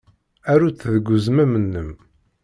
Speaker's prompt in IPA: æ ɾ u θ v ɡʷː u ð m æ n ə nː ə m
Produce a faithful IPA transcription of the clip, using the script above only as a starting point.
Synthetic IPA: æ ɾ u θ ð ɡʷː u z m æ m ə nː ə m